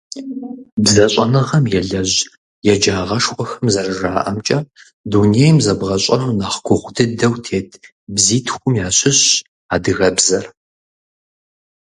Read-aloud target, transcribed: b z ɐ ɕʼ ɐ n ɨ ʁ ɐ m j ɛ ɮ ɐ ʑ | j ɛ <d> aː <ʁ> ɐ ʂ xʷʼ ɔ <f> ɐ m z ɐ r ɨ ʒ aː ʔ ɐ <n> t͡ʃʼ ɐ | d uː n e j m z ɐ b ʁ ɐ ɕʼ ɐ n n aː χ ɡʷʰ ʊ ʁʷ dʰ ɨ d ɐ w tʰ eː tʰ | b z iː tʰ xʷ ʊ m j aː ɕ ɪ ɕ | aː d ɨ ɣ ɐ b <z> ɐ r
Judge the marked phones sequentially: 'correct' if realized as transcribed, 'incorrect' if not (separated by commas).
incorrect, correct, incorrect, incorrect, correct